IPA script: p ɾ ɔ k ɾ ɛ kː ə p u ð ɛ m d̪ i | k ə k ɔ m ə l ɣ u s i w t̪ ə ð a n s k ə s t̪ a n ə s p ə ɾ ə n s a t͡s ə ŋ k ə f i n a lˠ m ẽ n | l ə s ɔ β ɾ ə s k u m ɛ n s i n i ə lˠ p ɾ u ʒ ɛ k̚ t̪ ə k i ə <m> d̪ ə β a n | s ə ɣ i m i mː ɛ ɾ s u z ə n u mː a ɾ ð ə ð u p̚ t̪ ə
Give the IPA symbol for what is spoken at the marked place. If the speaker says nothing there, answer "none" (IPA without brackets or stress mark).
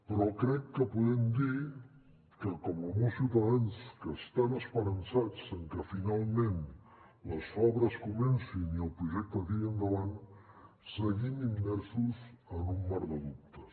n